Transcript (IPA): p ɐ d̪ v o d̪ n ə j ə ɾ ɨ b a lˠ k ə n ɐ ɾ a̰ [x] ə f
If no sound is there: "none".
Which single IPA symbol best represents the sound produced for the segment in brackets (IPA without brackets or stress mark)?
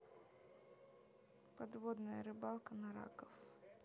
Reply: k